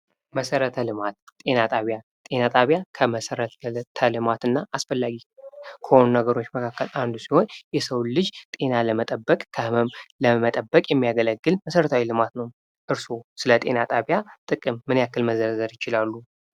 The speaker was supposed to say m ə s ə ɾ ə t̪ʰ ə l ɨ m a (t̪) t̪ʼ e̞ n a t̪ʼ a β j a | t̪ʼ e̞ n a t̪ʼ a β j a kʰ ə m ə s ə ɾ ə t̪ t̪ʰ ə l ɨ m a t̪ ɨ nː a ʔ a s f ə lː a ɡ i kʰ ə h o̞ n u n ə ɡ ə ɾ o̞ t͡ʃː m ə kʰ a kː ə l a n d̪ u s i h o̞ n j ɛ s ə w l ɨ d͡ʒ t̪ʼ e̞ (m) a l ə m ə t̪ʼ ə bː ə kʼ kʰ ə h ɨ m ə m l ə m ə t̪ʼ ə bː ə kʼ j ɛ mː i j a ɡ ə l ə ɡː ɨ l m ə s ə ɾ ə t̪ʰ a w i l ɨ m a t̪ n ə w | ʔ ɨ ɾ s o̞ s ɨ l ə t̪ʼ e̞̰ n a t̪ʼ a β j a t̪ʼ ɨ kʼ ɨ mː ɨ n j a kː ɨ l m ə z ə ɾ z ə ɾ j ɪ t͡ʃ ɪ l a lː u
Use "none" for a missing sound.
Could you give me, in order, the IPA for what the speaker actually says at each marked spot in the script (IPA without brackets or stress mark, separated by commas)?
t̪, n